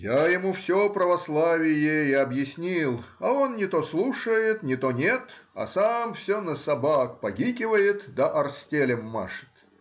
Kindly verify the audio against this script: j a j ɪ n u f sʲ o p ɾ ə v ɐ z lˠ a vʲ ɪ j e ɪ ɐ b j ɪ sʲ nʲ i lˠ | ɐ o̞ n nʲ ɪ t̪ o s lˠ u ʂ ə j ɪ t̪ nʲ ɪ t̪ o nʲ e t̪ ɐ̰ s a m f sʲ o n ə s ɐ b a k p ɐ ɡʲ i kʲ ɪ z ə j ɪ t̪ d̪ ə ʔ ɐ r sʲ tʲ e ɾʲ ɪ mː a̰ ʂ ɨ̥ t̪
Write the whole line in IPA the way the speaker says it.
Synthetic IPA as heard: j a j ɪ m u f sʲ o p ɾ ə v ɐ s lˠ a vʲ ɪ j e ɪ ɐ b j ɪ sʲ nʲ i lˠ | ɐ o̞ n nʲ ɪ t̪ o s lˠ u ʂ ə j ɪ t̪ nʲ ɪ t̪ o nʲ e t̪ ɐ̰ s a m f sʲ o n ə s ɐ b a k p ɐ ɡʲ i kʲ ɪ v ə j ɪ t̪ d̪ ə ʔ ɐ r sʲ tʲ e lʲ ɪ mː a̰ ʂ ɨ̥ t̪